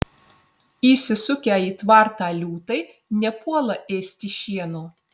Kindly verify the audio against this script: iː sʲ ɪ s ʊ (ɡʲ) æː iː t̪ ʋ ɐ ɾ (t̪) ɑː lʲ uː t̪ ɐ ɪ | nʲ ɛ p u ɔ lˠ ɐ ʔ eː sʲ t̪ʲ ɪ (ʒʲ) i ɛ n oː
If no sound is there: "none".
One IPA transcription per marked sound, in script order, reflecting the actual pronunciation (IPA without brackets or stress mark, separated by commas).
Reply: kʲ, t̪, ʃʲ